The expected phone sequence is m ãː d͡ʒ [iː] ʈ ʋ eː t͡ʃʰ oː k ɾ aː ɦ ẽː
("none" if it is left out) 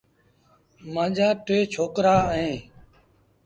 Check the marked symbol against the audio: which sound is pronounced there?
aː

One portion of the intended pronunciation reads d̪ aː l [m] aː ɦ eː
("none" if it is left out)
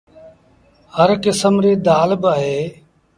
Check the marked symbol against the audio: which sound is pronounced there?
b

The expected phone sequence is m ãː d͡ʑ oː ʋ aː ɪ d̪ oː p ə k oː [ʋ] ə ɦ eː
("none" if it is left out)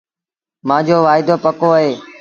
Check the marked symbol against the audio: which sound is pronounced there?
none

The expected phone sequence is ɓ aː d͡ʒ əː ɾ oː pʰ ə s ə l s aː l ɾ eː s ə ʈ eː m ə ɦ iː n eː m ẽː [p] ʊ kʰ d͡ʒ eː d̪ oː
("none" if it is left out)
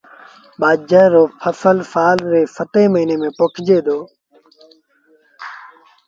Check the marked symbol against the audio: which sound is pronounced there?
p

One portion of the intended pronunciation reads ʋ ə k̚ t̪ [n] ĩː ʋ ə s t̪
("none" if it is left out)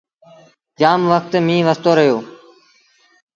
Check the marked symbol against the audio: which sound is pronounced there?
m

